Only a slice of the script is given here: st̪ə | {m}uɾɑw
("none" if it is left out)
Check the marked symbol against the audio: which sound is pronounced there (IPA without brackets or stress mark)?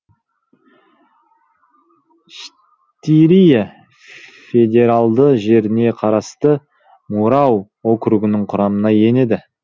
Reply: m